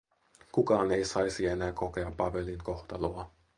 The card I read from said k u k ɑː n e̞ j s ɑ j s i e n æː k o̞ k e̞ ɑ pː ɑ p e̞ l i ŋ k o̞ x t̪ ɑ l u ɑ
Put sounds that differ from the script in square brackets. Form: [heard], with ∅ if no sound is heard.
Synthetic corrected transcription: k u k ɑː n e̞ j s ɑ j s i e n æː k o̞ k e̞ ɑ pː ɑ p e̞ l i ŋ k o̞ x t̪ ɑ l [o] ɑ